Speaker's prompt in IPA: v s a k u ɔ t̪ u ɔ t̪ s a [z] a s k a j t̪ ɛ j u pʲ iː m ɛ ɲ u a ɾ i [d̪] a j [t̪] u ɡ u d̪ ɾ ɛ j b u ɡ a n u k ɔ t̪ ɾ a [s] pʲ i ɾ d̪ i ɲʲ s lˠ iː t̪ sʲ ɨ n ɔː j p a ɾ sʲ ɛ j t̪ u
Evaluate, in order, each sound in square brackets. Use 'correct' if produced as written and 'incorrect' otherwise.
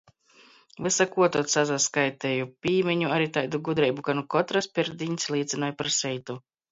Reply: correct, incorrect, incorrect, correct

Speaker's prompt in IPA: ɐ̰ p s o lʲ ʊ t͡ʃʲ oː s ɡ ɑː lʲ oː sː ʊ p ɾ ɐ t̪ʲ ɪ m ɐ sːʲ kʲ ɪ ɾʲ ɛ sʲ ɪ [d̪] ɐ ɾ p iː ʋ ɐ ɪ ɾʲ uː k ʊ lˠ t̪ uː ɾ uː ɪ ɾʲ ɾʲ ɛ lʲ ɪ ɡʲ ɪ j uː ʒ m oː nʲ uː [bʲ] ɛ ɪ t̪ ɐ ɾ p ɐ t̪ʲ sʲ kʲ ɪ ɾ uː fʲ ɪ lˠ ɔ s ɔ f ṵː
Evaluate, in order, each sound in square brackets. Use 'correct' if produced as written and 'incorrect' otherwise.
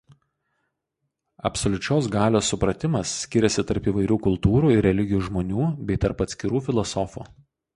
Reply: incorrect, correct

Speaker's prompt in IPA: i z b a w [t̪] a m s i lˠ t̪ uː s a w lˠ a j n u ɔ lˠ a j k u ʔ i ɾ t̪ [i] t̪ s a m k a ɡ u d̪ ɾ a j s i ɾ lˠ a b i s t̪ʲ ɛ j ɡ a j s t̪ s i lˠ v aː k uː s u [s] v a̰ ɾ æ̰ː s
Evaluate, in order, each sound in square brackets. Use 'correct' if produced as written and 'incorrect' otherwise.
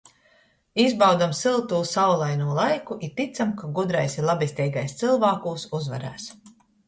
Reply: incorrect, correct, incorrect

